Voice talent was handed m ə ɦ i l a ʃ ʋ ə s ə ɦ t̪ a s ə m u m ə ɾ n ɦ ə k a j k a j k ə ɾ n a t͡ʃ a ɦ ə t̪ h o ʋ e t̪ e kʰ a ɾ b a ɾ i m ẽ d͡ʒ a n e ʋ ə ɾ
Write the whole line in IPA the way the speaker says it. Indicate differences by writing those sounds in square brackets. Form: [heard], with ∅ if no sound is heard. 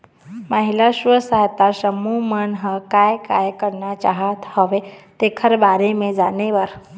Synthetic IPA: m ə ɦ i l a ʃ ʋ ə s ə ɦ t̪ a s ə m u m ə [∅] n ɦ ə k a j k a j k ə ɾ n a t͡ʃ a ɦ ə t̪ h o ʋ e t̪ e kʰ [ə] ɾ b a ɾ [e] m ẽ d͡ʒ a n e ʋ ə ɾ